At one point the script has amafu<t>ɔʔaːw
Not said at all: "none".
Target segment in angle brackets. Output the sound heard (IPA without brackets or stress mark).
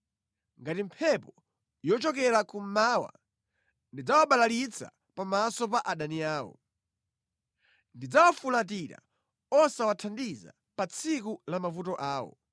t